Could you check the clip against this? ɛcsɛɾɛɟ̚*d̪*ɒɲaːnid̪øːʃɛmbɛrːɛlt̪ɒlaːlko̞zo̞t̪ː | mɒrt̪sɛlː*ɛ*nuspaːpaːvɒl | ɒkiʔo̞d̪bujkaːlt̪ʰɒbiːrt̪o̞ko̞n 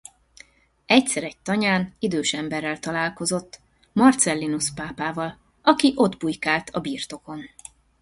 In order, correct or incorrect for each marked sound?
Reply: incorrect, incorrect

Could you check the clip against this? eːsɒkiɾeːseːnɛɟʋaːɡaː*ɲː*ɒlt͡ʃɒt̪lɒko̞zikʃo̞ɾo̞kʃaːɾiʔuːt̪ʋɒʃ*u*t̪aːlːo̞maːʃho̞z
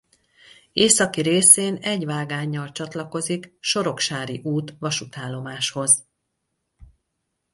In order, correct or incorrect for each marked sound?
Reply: correct, correct

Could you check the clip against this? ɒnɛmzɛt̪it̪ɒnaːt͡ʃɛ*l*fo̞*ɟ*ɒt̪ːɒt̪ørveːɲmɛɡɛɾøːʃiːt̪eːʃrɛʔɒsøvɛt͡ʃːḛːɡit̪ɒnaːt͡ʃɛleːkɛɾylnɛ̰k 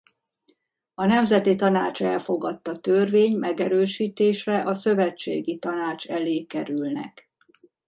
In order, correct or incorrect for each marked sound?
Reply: correct, incorrect

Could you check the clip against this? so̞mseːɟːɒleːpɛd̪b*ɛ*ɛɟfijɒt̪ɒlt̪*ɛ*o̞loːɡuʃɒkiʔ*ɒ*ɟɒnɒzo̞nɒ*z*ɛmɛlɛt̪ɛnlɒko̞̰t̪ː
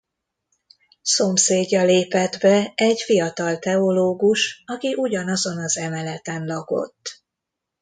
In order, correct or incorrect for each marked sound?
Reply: correct, correct, incorrect, correct

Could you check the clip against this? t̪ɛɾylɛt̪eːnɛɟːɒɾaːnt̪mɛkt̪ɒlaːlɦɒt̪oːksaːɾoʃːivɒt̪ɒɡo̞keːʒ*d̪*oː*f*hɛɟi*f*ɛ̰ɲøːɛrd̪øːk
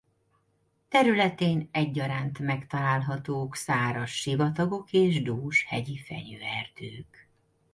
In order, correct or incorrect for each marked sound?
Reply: correct, incorrect, correct

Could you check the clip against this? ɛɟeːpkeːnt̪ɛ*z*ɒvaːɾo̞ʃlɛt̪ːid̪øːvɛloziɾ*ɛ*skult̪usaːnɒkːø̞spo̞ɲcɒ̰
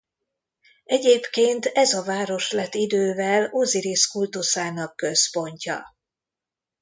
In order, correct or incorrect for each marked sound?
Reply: correct, incorrect

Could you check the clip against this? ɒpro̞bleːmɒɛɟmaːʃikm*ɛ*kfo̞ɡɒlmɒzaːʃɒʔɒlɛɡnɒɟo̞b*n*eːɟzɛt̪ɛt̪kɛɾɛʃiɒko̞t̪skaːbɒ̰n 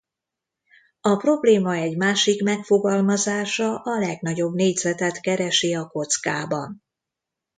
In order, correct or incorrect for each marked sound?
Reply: correct, correct

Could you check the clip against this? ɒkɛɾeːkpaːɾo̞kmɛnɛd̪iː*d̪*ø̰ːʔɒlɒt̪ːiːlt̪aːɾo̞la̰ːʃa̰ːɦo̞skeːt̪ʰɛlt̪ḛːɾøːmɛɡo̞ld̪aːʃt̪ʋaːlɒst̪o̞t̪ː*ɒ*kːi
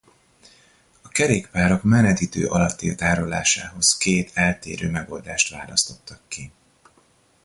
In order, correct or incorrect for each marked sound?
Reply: incorrect, correct

